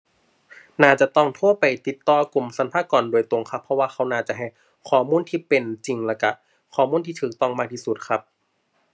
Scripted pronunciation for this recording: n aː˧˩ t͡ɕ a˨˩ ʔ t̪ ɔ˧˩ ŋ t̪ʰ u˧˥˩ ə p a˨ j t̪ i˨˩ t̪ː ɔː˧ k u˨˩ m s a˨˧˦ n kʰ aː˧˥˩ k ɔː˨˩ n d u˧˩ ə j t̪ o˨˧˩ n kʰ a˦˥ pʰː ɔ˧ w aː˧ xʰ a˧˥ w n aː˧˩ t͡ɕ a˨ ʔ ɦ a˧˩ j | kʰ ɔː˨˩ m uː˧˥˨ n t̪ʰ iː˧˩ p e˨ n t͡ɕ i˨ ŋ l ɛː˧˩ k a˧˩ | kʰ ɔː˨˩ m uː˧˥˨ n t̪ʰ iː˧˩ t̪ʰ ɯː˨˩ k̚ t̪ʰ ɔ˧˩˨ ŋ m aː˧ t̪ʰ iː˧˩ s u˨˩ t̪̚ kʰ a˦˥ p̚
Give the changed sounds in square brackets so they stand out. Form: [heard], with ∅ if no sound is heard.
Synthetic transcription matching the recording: n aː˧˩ t͡ɕ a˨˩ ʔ t̪ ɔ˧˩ ŋ t̪ʰ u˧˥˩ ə p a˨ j t̪ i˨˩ t̪ː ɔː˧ k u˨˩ m s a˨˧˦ n [pʰ] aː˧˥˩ k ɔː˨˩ n d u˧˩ ə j t̪ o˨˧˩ [ŋ] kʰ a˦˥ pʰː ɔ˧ w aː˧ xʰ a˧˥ w n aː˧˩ t͡ɕ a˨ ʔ ɦ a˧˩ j | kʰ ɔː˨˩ m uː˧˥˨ n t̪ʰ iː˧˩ p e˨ n t͡ɕ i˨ ŋ l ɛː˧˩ k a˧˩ | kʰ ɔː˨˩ m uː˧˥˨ n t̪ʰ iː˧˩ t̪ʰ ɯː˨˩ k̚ [t̪] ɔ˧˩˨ ŋ m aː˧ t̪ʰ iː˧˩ s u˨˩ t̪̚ kʰ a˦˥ p̚